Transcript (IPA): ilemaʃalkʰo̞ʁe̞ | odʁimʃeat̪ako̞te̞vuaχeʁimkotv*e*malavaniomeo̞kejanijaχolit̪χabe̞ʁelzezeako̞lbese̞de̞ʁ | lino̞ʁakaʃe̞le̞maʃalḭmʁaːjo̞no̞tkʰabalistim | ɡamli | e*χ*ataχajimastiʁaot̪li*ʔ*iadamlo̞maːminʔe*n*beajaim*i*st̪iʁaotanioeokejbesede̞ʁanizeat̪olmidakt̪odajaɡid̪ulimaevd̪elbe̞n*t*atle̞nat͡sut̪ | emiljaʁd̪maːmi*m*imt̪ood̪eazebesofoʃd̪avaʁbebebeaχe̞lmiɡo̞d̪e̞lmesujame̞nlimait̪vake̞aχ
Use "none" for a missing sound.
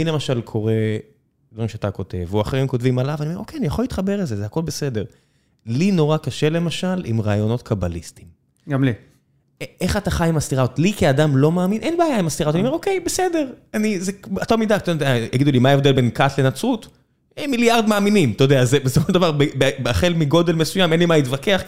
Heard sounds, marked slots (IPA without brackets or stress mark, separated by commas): i, χ, k, n, a, k, n